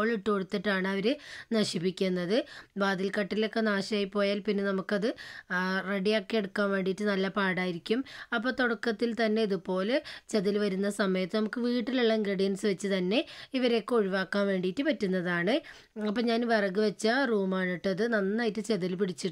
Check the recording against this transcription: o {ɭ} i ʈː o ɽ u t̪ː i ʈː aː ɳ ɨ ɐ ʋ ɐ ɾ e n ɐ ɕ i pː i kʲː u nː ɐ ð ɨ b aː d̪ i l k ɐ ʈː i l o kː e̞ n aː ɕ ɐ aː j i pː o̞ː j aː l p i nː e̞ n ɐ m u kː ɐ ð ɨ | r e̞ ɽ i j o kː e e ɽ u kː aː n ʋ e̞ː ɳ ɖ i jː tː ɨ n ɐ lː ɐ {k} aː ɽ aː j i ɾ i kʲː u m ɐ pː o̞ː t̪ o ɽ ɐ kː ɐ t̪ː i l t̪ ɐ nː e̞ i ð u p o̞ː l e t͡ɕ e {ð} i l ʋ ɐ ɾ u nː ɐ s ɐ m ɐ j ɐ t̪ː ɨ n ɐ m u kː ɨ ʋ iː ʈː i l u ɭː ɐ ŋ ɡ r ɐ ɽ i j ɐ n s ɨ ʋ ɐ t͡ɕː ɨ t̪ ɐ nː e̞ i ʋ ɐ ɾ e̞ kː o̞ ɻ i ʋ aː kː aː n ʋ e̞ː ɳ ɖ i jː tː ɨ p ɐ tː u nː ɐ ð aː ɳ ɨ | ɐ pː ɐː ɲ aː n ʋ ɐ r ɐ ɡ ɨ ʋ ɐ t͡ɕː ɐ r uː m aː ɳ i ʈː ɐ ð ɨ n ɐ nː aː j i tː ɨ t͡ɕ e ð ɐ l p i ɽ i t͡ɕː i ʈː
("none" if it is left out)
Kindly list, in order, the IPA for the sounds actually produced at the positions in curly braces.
ɭ, p, ð

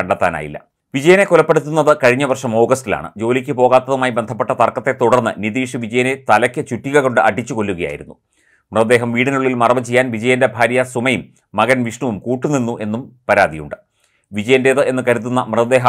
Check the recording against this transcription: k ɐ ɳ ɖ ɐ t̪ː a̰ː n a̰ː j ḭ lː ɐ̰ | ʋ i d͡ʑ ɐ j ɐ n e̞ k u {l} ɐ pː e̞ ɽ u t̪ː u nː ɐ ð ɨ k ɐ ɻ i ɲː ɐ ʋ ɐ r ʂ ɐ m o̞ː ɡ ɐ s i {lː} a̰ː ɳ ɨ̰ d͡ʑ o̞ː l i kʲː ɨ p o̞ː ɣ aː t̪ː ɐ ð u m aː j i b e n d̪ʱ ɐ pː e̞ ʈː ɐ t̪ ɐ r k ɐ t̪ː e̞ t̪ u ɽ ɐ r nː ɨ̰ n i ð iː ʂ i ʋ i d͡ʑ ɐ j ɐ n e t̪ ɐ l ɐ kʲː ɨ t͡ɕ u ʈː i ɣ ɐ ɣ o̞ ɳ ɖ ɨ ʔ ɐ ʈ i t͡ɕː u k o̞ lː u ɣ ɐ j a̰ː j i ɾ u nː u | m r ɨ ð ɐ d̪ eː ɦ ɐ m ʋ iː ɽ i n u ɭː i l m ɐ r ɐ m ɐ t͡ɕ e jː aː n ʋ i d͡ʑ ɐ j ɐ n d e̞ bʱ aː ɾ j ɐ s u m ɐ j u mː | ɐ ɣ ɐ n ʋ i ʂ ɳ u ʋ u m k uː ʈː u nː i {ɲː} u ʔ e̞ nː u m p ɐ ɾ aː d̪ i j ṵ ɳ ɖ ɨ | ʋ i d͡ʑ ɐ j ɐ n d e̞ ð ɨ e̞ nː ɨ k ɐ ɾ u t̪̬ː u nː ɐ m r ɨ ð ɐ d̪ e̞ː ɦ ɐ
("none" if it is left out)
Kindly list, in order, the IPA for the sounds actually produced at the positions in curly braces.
l, l, nː

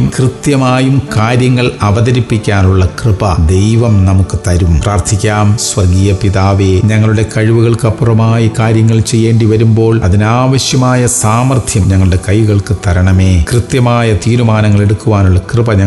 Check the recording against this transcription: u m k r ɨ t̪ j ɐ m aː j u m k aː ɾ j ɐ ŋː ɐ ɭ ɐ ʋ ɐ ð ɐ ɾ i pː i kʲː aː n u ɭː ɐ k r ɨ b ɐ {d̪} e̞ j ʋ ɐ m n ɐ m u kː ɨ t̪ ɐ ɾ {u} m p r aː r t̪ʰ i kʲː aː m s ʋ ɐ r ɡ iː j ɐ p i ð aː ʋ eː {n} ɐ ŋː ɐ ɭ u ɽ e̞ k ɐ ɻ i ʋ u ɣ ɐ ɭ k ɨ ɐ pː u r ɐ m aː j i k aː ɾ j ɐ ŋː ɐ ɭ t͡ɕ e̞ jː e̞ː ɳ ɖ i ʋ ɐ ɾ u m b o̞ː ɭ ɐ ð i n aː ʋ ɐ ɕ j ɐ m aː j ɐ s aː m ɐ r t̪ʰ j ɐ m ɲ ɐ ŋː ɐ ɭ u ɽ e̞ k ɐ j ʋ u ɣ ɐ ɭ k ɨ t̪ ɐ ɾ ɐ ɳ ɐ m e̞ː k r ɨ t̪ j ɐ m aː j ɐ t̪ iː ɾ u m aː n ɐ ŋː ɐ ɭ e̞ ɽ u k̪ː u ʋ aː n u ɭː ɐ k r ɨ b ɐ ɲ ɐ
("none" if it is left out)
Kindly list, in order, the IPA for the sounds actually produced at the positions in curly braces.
d̪, u, ɲ

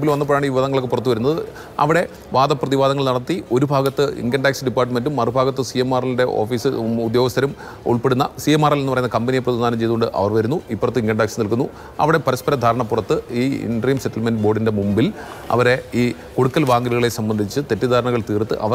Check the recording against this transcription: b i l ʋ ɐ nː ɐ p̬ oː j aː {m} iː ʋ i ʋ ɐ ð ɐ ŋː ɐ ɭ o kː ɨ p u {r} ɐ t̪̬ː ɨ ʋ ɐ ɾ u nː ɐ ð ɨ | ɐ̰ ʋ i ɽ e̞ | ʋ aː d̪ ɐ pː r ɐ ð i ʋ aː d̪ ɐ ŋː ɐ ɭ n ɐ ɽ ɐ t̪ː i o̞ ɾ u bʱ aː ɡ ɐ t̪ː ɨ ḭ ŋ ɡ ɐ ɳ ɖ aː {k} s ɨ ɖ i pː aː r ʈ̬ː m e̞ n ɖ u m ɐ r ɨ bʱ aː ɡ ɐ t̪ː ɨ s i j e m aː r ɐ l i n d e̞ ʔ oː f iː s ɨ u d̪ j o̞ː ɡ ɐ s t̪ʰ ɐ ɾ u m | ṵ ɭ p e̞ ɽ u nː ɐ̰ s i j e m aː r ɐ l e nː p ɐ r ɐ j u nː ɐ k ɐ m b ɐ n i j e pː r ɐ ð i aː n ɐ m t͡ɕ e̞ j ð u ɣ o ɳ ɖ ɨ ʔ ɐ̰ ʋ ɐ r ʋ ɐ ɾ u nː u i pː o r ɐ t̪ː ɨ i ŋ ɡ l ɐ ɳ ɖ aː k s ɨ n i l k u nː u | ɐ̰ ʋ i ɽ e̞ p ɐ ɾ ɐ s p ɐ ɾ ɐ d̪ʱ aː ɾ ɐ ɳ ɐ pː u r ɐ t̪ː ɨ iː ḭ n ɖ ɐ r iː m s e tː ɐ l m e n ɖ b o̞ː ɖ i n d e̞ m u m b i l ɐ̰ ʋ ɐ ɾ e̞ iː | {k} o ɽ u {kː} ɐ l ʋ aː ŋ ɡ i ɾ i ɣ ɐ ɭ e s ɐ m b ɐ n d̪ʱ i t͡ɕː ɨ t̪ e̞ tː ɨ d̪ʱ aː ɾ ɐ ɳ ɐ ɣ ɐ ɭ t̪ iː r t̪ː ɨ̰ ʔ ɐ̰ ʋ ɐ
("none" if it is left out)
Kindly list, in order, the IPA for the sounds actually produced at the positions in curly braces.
ɳ, r, k, k, kː

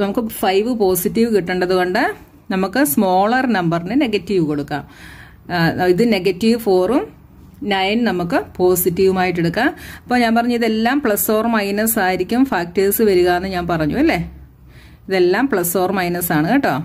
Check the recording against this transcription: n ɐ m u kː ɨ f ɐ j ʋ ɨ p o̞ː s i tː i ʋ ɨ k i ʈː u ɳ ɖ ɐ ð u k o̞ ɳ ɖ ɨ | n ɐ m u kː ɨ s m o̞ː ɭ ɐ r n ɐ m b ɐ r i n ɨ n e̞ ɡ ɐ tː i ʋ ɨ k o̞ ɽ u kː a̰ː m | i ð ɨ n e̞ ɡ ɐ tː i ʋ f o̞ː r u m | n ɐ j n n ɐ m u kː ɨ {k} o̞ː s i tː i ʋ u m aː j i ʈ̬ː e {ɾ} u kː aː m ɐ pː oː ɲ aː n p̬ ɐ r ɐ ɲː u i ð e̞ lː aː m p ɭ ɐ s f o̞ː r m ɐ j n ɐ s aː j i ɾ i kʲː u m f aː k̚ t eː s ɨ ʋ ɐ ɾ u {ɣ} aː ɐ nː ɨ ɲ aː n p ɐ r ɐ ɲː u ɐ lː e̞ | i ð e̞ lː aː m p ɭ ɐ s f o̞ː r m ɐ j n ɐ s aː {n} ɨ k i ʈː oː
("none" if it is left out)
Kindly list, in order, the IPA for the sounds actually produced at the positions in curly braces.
p, ɽ, ɣ, ɳ

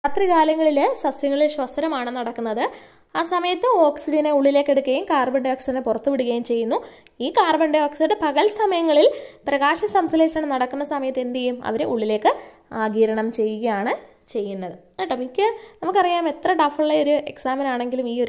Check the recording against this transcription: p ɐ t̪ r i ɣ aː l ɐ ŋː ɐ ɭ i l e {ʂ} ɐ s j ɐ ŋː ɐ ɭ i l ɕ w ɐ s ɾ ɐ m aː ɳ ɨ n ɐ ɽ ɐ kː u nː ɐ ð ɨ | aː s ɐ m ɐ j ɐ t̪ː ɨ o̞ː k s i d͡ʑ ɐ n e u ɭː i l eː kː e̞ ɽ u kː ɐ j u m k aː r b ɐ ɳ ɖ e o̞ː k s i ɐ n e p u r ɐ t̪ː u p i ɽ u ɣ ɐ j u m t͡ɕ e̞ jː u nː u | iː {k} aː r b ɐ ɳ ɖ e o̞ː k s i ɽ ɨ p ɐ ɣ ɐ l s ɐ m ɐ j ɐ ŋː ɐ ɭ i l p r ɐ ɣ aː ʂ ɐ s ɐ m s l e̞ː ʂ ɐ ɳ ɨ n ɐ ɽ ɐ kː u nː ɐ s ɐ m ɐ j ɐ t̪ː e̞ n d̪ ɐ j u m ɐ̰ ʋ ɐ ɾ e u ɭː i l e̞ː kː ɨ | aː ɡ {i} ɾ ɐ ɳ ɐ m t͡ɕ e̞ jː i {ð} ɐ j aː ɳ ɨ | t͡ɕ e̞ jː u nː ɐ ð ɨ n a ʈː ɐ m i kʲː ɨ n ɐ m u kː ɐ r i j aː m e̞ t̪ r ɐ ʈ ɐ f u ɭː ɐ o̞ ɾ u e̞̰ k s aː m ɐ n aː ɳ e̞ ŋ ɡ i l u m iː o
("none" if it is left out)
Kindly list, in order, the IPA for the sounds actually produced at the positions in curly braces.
s, k, iː, ɣ

